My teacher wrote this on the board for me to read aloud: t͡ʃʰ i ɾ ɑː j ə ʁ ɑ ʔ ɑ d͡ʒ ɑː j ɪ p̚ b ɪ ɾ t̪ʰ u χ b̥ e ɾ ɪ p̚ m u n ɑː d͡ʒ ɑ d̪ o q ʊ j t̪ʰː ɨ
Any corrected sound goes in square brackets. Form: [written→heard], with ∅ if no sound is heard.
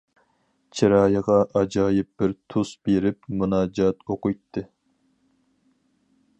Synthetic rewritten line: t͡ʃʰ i ɾ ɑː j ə ʁ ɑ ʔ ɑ d͡ʒ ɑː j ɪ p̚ b ɪ ɾ t̪ʰ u [χ→s] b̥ e ɾ ɪ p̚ m u n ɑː d͡ʒ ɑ [d̪→t̪] o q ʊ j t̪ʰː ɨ